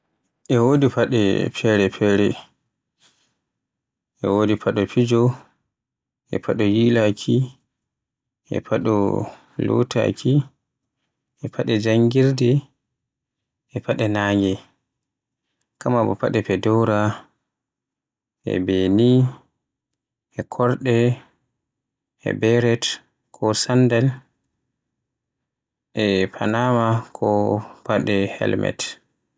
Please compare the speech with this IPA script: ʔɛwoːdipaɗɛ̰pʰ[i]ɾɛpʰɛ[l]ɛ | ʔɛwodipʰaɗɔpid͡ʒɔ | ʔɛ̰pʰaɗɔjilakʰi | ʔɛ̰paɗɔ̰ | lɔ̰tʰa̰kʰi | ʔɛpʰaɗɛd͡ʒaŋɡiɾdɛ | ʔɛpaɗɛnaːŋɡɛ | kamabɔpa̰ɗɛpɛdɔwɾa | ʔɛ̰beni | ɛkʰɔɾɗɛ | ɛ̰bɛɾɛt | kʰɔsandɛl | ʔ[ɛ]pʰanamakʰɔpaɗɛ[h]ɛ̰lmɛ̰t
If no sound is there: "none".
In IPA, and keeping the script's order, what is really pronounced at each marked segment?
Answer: ɛ, ɾ, ɛ, h

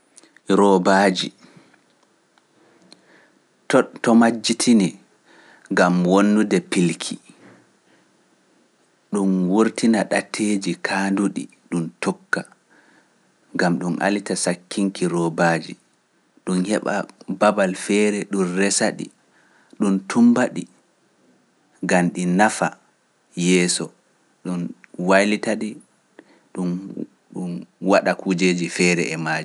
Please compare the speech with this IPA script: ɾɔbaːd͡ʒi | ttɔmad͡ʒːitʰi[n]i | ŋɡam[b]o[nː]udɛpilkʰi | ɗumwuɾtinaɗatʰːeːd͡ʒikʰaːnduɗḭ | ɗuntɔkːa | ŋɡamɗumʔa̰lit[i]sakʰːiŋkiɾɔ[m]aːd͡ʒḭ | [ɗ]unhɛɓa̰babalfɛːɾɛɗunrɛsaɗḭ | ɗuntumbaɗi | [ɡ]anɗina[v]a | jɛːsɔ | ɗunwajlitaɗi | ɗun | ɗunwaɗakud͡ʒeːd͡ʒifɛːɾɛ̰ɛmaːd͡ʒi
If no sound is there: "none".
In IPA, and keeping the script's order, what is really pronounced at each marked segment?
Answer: n, w, nː, a, b, ɗ, ɡ, f

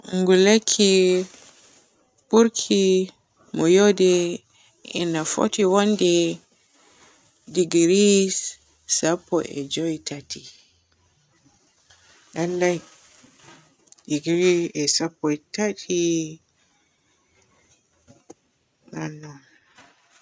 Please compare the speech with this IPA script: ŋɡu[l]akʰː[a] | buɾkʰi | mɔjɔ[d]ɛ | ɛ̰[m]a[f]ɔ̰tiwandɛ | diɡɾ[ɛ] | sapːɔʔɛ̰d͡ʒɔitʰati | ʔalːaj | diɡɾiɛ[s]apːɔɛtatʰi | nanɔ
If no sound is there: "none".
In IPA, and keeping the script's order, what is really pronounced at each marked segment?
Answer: l, i, d, n, f, i, s

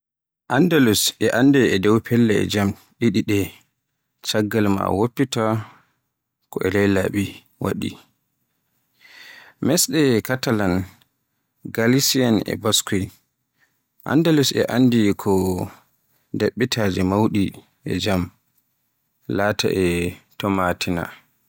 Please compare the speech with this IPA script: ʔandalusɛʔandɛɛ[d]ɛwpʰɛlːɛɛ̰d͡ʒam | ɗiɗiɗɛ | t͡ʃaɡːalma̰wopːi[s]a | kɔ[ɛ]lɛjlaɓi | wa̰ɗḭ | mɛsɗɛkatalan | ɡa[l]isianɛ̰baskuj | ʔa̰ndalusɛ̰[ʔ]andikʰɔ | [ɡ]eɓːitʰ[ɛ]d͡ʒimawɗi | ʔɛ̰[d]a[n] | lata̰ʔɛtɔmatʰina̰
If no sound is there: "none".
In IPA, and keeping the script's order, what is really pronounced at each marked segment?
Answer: d, t, ɛ, l, ʔ, d, a, d͡ʒ, m

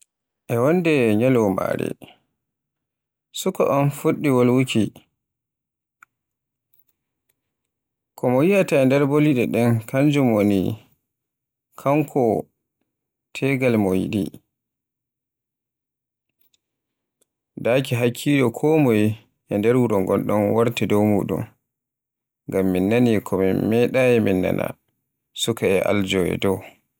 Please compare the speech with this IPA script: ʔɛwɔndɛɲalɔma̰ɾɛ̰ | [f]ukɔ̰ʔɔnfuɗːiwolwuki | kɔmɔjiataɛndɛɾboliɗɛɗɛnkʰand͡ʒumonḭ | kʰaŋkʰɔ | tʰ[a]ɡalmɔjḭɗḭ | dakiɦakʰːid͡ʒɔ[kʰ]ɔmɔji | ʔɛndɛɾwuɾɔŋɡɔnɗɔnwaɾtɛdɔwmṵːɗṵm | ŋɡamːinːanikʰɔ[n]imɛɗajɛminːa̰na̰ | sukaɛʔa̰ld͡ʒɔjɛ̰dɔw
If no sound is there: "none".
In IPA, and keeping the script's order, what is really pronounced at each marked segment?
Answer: s, ɛ, kʰ, m

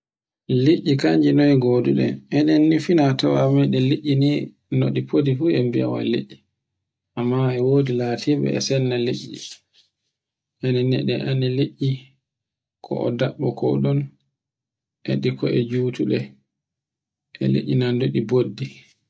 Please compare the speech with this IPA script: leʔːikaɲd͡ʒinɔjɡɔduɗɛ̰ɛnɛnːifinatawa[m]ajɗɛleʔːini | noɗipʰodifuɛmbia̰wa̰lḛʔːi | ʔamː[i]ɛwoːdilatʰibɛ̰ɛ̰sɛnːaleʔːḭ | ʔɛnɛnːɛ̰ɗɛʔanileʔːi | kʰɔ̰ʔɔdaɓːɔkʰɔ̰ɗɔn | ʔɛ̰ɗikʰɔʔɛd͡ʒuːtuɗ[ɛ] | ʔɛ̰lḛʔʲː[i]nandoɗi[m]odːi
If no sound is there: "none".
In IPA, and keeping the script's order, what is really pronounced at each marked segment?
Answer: m, a, ɛ, i, b

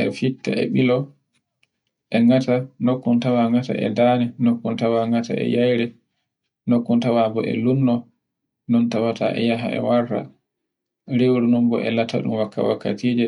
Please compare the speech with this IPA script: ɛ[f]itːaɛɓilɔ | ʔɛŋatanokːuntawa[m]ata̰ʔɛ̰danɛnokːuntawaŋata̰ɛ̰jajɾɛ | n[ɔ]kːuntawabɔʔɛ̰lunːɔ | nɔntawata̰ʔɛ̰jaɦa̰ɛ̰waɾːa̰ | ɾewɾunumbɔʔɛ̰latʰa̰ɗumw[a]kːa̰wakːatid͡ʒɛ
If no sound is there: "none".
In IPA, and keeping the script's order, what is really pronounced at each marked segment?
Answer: f, ŋ, o, a

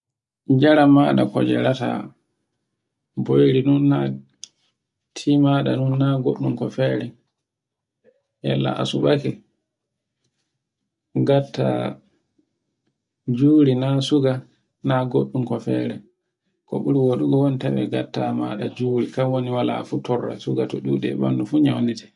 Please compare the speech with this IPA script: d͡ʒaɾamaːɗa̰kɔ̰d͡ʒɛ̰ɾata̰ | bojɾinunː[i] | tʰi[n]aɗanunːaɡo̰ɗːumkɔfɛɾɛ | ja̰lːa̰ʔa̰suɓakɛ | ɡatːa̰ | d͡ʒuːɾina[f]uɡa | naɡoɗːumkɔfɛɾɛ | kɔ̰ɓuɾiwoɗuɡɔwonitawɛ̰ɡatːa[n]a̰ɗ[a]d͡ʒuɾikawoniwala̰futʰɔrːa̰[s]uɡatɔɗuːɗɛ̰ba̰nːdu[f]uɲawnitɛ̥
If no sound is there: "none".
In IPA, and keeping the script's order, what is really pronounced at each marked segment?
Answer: a, m, s, m, a, s, f

